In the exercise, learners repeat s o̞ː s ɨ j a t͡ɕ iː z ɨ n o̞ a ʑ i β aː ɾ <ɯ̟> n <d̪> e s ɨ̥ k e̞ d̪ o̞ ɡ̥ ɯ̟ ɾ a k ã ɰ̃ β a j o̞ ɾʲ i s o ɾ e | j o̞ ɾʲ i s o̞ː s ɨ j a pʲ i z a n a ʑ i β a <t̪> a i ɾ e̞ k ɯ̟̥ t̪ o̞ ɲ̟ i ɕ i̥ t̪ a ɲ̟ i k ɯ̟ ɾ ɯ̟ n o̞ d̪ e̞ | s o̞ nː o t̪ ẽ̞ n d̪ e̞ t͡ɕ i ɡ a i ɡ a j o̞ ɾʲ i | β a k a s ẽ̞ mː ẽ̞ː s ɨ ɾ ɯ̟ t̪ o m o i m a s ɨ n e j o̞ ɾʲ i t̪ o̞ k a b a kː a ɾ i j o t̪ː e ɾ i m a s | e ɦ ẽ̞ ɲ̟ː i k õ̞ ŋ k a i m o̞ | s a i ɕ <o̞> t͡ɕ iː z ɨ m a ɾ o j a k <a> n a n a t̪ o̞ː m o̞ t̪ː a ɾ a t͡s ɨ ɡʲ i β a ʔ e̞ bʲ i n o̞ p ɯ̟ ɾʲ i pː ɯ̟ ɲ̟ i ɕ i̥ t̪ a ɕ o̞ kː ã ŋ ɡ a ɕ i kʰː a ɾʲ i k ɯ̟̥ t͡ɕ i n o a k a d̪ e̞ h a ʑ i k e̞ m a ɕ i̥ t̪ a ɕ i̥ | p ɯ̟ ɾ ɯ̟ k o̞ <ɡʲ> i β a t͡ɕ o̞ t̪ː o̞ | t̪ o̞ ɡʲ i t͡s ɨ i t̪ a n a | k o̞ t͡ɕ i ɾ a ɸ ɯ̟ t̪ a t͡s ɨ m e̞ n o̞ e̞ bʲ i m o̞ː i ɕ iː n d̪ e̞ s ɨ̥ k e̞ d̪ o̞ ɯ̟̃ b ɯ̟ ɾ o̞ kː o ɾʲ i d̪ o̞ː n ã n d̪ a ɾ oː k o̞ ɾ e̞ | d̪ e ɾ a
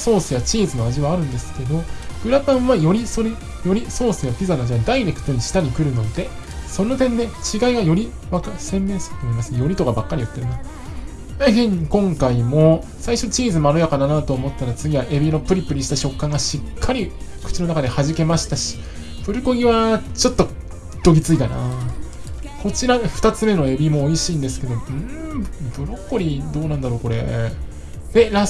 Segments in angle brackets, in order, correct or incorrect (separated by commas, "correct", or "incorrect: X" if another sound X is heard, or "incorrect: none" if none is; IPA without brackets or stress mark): incorrect: ɯ̟̃, correct, incorrect: d̪, correct, correct, correct